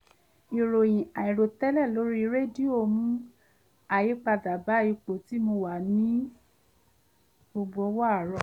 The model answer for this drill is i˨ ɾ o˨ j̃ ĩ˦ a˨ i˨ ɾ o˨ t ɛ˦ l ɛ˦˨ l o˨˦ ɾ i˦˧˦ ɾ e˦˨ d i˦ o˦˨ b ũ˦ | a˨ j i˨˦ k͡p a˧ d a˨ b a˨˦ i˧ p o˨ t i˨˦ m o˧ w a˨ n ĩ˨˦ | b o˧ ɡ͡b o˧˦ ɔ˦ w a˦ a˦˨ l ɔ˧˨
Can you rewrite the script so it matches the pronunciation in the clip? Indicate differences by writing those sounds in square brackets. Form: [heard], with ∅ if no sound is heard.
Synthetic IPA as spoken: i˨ ɾ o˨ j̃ [ĩ˨] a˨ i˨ ɾ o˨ t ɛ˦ l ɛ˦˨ l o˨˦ ɾ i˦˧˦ ɾ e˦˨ d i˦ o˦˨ [m] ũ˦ | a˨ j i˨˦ k͡p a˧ d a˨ b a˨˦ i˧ [k͡p] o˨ t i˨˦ m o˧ w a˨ n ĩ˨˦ | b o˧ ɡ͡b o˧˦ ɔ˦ w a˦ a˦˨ [ɾ] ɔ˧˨